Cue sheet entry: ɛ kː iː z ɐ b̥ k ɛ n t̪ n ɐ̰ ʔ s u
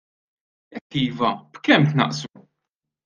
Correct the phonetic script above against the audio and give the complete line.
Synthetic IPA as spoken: ɛ kː iː v ɐ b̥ k ɛ m t̪ n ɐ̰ ʔ s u